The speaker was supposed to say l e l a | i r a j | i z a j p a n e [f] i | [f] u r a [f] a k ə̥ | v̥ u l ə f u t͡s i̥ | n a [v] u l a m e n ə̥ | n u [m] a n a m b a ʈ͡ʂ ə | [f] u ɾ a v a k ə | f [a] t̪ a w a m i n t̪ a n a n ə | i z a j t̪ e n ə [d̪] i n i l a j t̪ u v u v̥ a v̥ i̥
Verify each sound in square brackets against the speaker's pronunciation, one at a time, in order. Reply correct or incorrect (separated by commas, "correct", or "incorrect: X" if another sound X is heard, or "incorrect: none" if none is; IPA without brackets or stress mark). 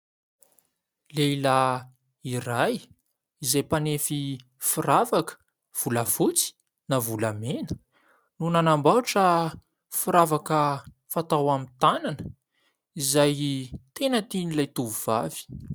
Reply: correct, correct, incorrect: v, correct, incorrect: n, correct, correct, incorrect: t̪